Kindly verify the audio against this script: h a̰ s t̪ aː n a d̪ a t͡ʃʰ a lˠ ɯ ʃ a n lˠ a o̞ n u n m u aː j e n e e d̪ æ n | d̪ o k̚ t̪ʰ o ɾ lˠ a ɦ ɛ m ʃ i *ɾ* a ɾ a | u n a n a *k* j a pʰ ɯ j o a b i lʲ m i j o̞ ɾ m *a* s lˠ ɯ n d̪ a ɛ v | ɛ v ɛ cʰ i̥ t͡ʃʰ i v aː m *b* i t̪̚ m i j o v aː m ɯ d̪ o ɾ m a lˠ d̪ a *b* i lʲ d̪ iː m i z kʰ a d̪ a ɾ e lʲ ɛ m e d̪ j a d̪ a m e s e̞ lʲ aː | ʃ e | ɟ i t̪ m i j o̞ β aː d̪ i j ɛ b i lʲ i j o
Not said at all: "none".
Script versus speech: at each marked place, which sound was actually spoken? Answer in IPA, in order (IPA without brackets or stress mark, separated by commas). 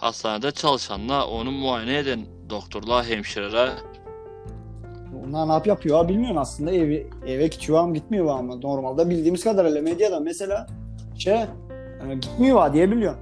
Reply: ɾ, p, a, ɟ, b